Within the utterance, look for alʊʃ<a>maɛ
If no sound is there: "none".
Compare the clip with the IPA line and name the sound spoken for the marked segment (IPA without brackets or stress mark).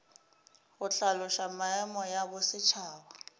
a